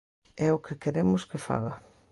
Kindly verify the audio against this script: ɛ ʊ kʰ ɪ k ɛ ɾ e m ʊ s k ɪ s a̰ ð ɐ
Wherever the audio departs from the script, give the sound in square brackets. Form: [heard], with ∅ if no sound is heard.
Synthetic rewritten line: ɛ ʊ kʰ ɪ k [e] ɾ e m ʊ s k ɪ [f] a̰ [ɣ] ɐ